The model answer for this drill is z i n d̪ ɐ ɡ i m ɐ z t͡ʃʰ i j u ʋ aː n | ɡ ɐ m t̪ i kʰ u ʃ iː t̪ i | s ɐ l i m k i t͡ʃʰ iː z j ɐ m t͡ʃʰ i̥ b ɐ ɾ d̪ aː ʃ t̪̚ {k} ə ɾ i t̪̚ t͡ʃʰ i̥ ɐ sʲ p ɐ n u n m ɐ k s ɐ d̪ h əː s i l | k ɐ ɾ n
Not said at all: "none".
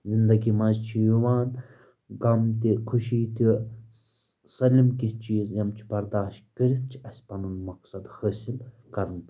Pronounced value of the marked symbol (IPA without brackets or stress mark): k